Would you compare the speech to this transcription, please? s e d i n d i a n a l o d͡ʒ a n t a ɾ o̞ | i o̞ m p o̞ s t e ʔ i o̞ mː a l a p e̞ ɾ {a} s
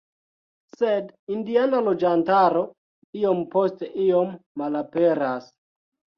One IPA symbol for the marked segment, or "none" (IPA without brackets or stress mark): a